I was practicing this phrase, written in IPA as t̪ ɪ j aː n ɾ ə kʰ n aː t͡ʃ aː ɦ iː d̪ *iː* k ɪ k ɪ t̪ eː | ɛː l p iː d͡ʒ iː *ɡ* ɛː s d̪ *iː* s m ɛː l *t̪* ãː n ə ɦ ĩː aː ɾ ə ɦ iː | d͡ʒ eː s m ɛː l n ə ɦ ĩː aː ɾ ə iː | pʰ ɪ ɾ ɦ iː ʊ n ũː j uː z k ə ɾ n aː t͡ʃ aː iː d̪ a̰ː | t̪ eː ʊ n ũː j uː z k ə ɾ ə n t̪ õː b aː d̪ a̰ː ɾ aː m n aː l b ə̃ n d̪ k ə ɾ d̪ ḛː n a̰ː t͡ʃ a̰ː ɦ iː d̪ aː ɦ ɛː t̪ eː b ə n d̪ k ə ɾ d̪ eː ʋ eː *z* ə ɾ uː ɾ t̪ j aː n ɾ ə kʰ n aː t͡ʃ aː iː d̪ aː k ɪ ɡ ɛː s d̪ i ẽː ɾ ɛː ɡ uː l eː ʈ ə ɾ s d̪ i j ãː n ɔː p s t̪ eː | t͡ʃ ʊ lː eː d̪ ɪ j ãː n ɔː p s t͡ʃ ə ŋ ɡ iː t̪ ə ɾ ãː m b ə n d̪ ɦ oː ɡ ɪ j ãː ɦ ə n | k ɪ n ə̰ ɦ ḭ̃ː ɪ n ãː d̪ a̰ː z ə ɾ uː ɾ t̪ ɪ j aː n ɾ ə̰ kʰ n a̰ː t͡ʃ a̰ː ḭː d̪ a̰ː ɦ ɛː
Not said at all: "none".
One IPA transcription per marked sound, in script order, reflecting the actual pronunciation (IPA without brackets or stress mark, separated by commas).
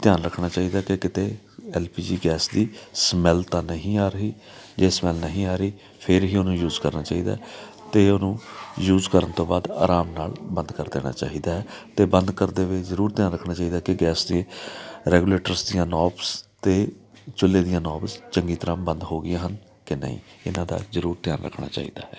aː, ɡ, iː, t̪, z